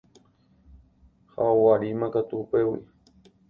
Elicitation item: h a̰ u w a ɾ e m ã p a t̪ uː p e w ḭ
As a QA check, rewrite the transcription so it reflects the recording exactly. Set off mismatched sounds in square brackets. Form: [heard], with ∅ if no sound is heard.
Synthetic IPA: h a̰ [o] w a ɾ [i] m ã [k] a t̪ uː p e w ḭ